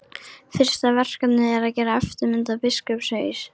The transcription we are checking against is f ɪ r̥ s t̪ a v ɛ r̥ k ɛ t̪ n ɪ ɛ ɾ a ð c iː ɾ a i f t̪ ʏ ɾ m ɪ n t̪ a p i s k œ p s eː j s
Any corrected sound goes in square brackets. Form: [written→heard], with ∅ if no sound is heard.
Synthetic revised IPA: f ɪ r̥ s t̪ a v ɛ r̥ k [ɛ→a] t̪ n ɪ ɛ ɾ a ð c [iː→ɛː] ɾ a [i→ɛ] f t̪ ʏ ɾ m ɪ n t̪ a p [i→ɪ] s k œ p s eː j s